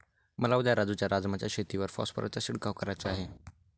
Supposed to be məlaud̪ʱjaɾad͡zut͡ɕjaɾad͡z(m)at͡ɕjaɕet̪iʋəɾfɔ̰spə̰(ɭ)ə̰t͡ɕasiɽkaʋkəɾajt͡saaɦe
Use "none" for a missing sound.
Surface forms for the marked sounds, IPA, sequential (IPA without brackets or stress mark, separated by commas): m, ɾ